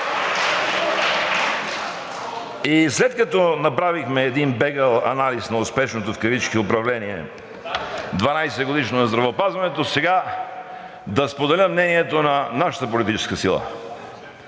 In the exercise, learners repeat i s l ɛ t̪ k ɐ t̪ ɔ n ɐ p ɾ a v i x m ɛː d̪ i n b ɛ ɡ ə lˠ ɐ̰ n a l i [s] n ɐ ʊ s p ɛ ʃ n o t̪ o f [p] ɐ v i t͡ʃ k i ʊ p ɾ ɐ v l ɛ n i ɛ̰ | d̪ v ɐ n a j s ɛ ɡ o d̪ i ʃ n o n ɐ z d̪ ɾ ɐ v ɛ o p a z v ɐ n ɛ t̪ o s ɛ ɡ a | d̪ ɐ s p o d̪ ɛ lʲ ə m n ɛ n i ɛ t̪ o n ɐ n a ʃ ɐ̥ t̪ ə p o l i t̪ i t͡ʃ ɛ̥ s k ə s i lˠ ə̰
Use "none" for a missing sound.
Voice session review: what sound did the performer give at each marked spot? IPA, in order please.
s, k

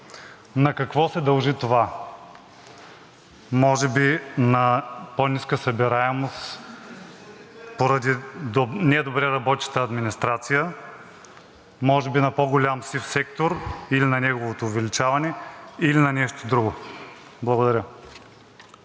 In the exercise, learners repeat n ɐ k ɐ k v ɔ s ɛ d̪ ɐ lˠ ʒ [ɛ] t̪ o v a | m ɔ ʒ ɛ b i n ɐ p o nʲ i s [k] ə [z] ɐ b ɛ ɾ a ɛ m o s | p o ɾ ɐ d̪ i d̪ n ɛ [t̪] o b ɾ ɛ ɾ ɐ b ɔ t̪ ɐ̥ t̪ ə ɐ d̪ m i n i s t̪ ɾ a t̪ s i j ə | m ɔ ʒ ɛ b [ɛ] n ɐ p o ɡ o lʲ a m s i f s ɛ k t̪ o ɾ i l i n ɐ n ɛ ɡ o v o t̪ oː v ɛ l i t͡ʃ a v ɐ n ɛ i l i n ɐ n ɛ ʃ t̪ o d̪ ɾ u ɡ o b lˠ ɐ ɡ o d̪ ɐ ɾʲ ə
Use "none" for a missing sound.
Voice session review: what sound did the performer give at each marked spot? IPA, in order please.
i, k, s, d̪, i

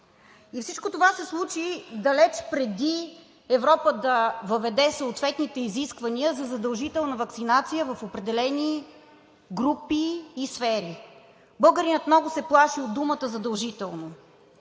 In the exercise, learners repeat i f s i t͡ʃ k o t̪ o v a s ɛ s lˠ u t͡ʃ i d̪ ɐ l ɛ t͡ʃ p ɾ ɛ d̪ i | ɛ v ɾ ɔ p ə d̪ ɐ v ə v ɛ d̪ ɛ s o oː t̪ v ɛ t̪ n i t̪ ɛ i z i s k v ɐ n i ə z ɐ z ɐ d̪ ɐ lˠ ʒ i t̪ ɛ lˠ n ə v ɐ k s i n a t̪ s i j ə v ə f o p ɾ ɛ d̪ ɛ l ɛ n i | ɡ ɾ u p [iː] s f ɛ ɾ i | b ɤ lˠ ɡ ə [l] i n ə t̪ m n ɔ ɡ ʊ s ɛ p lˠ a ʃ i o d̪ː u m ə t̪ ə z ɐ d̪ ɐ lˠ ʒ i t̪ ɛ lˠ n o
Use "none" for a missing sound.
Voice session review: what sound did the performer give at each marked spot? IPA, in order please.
iː, ɾ

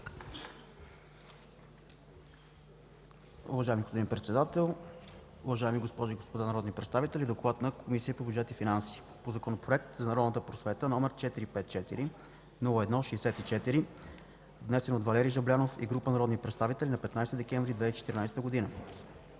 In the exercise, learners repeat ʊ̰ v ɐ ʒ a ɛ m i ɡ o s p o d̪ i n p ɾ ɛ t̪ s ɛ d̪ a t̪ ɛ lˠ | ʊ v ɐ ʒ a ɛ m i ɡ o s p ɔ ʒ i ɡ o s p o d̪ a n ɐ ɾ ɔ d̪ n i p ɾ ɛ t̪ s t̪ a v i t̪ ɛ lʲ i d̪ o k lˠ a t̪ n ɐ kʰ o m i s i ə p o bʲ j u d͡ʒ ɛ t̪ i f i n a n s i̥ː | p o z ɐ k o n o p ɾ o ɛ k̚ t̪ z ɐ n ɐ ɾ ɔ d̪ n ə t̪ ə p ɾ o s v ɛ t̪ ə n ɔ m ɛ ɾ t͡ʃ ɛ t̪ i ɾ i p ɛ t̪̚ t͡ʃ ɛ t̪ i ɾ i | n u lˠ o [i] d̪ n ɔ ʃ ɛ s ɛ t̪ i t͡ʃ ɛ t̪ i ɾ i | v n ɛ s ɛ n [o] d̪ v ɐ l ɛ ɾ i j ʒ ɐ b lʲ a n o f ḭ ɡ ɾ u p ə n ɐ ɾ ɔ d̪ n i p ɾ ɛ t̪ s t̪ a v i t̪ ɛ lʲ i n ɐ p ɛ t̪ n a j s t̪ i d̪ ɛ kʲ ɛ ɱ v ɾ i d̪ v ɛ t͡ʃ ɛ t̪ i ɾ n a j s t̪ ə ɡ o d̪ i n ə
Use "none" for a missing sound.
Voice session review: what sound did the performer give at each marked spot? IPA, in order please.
ɛ, o

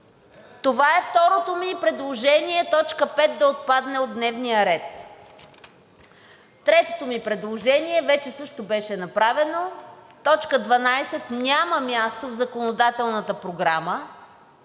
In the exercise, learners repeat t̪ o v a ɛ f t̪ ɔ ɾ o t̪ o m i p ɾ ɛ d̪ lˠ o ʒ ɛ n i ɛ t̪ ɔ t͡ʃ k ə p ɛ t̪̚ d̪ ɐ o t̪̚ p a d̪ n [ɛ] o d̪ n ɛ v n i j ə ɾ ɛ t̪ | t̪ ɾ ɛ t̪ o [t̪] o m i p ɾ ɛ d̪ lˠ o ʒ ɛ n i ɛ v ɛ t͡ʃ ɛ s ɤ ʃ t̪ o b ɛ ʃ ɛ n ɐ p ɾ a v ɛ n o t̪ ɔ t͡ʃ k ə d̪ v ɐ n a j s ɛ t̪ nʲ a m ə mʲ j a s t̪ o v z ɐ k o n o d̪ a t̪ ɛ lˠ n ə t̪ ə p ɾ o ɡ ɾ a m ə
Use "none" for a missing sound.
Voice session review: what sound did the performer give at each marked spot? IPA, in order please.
ɛ, t̪

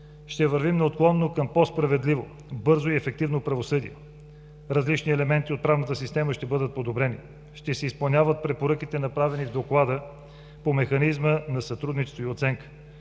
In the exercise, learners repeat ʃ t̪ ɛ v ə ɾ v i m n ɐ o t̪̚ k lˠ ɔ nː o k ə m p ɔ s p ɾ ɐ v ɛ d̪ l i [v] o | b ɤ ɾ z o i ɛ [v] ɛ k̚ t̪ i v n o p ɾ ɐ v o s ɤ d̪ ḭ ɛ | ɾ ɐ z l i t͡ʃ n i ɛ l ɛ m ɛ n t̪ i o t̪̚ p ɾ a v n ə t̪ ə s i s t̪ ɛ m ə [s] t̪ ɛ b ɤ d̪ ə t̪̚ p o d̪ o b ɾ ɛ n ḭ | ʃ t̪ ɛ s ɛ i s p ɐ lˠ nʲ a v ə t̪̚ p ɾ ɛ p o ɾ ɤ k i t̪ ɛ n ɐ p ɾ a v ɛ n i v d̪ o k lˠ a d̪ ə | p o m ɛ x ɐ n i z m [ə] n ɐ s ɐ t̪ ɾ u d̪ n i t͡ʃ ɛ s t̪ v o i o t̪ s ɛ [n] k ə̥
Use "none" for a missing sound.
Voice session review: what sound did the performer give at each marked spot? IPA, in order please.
v, f, ʃ, ə, ŋ

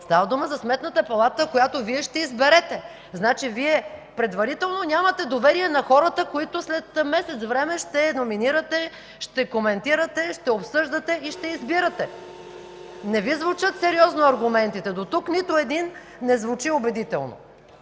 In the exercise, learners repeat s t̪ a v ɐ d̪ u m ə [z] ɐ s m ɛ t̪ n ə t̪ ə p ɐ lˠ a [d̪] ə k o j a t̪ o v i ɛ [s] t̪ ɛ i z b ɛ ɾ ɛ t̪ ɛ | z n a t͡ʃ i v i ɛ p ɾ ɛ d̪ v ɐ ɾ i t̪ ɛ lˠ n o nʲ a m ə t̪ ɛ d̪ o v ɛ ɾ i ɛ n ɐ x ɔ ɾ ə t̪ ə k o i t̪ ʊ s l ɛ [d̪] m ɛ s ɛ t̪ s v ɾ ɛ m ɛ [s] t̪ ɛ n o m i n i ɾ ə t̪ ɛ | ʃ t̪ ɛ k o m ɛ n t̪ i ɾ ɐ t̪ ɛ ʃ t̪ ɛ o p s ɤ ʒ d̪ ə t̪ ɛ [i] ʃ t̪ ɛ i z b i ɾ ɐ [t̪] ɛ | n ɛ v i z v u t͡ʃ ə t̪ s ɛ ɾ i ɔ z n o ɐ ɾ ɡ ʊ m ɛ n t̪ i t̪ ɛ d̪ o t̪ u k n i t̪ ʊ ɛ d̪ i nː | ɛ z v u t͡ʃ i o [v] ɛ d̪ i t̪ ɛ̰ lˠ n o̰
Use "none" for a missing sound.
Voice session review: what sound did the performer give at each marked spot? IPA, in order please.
z, t̪, ʃ, t̪, ʃ, i, t̪, b

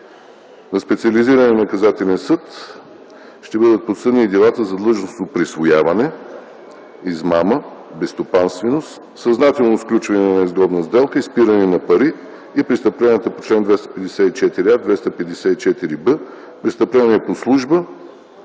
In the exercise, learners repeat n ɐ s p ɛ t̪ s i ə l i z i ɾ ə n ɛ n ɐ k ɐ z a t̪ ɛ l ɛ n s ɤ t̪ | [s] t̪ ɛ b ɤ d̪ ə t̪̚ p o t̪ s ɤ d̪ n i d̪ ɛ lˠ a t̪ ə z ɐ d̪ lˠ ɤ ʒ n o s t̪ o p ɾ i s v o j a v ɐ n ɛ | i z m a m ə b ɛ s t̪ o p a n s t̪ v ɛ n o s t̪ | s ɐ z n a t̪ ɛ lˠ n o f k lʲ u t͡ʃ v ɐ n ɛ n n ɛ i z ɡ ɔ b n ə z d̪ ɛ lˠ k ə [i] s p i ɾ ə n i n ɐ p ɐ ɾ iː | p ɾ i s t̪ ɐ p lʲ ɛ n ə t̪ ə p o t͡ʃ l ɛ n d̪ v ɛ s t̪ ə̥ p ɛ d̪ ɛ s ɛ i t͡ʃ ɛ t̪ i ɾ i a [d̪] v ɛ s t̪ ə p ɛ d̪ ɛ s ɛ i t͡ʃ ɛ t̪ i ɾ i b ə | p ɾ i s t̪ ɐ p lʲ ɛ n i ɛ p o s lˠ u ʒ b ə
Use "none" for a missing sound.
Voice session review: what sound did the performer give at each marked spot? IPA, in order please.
ʃ, i, d̪

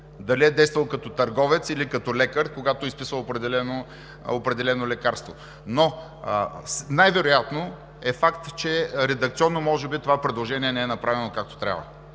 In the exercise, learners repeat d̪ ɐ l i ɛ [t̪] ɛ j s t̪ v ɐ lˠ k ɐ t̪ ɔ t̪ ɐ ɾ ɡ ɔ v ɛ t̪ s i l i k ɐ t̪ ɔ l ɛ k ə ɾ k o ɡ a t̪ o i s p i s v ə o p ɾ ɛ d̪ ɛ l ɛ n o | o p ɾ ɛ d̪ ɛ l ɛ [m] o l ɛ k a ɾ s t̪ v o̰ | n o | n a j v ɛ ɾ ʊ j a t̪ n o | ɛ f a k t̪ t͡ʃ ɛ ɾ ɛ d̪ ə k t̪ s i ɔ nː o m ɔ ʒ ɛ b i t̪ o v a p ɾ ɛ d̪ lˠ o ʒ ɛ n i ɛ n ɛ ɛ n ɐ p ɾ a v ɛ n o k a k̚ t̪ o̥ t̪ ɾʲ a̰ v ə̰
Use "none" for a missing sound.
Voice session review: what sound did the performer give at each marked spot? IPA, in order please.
d̪, n

